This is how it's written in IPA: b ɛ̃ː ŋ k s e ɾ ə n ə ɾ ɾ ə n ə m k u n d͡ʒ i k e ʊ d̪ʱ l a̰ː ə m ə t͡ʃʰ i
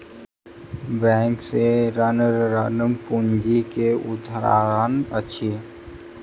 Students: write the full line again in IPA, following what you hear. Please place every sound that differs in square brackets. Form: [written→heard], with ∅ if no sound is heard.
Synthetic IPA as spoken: b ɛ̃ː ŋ k s e ɾ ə n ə ɾ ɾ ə n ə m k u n d͡ʒ i k e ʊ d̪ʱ [l→ɾ] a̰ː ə [m→n] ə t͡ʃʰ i